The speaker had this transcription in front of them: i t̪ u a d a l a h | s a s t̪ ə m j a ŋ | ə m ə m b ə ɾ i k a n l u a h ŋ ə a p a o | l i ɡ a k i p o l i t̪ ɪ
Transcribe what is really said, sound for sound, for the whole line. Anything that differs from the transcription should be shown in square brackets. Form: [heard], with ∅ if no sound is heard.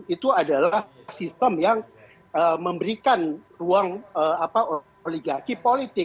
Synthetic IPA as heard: i t̪ u a d a l a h | s [i] s t̪ ə m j a ŋ | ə m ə m b ə ɾ i k a n [r] u a [∅] ŋ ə a p a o | l i ɡ a k i p o l i t̪ ɪ